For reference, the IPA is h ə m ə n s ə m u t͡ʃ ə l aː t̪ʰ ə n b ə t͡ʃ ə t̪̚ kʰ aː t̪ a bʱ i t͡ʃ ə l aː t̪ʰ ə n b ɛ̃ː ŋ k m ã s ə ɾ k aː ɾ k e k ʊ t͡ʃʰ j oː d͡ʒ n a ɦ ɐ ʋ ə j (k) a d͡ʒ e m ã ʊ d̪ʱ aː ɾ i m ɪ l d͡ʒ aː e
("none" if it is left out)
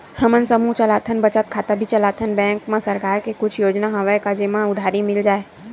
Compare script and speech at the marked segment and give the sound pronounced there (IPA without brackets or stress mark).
k